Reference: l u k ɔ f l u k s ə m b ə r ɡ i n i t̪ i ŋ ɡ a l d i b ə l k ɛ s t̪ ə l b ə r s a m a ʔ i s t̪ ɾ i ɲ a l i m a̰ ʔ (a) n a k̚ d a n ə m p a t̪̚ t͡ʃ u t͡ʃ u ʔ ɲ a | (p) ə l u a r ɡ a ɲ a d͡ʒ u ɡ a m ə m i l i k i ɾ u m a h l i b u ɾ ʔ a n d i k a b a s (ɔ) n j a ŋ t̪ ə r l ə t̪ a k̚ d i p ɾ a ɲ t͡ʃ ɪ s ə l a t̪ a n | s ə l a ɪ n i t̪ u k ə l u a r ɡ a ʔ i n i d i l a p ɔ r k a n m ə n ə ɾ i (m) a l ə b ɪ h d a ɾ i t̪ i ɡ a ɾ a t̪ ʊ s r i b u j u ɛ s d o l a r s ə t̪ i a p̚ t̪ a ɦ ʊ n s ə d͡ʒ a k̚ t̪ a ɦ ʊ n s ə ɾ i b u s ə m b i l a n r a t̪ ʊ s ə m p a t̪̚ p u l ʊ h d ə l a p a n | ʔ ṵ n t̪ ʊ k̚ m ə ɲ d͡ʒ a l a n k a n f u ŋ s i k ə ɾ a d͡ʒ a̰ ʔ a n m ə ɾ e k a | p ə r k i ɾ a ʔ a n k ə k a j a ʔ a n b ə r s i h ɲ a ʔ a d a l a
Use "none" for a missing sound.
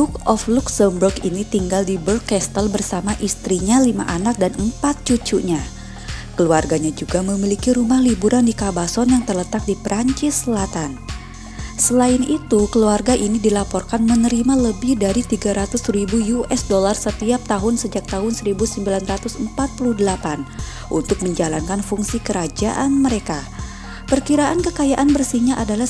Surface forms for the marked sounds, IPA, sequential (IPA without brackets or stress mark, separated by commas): a, k, ɔ, m